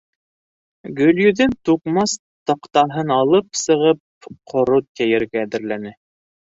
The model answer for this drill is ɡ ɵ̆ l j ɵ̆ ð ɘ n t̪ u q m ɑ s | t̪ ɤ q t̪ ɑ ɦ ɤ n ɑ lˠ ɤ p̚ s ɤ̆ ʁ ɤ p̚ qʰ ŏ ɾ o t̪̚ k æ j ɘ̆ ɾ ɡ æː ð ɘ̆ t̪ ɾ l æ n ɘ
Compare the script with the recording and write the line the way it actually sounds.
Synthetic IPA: ɡ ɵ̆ l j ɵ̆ ð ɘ n t̪ u q m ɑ s | t̪ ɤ q t̪ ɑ ɦ ɤ n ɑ lˠ ɤ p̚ s ɤ̆ ʁ ɤ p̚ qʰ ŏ ɾ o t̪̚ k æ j ɘ̆ ɾ ɡ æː ð ɘ̆ ɾ l æ n ɘ